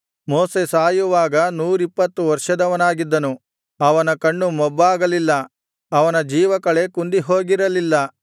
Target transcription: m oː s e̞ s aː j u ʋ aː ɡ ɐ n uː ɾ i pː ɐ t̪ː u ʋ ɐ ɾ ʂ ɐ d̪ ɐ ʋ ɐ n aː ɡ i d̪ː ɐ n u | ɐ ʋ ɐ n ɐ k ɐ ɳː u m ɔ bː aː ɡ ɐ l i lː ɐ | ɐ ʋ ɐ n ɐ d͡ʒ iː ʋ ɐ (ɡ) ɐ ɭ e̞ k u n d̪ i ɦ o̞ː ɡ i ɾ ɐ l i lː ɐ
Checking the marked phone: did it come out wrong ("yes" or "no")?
yes